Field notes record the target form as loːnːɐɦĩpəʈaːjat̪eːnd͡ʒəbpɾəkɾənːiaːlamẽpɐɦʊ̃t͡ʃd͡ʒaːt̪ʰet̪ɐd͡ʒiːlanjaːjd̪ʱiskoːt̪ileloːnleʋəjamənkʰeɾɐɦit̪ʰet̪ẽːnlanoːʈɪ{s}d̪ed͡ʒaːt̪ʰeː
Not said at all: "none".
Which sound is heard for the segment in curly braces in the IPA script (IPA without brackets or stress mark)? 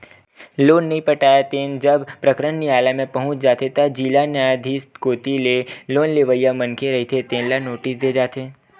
s